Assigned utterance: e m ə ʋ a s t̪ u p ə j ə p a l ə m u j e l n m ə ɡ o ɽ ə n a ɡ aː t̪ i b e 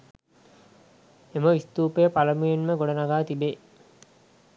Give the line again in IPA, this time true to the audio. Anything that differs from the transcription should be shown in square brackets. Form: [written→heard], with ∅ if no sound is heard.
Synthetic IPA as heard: e m ə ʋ [a→i] s t̪ [u→uː] p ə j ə p a l ə m u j e [l→∅] n m ə ɡ o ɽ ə n a ɡ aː t̪ i b e